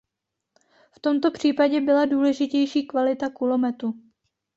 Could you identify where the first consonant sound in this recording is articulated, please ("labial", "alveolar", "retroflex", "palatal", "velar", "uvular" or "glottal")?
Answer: labial